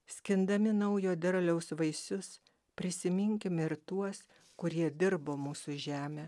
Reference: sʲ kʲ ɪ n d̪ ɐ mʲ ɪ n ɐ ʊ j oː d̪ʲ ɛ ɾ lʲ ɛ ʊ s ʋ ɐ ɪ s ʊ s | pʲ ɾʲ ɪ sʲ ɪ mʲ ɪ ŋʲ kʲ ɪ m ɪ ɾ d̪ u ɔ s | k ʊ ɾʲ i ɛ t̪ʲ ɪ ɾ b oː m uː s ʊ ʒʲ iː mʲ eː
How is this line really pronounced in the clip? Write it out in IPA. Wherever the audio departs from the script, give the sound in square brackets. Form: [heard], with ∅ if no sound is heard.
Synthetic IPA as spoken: sʲ kʲ ɪ n d̪ ɐ mʲ ɪ n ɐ ʊ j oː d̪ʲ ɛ ɾ lʲ ɛ ʊ s ʋ ɐ ɪ s ʊ s | pʲ ɾʲ ɪ sʲ ɪ mʲ ɪ ŋʲ kʲ ɪ m ɪ ɾ [t̪] u ɔ s | k ʊ ɾʲ i ɛ [d̪ʲ] ɪ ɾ b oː m uː s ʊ ʒʲ [æː] mʲ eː